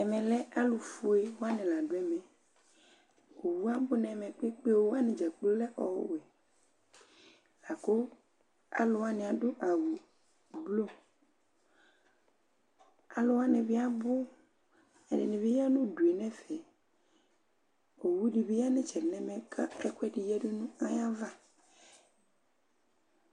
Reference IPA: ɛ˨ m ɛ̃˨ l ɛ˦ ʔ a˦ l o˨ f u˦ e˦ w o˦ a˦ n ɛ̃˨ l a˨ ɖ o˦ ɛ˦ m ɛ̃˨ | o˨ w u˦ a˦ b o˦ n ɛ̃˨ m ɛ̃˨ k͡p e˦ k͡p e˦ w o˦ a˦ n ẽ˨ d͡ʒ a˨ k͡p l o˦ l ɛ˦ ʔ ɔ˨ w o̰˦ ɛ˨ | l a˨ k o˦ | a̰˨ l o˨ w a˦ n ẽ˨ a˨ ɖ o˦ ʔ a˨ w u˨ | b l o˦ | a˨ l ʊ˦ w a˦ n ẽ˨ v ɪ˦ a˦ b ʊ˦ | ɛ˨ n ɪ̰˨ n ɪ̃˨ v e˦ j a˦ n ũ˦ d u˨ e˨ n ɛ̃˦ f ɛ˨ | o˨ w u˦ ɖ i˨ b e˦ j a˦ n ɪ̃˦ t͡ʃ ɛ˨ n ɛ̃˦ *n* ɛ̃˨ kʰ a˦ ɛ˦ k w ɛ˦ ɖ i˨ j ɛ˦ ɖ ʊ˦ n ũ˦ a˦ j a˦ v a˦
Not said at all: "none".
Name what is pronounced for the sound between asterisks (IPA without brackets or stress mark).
m